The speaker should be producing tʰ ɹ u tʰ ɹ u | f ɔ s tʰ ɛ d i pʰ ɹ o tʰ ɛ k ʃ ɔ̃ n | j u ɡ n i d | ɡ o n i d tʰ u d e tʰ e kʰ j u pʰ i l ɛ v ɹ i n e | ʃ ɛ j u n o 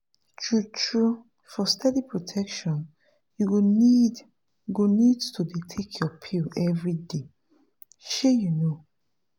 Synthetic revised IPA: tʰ ɹ u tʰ ɹ u | f ɔ s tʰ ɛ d i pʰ ɹ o tʰ ɛ k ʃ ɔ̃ n | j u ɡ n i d | ɡ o n i d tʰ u d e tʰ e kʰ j ɔ pʰ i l ɛ v ɹ i d e | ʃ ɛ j u n o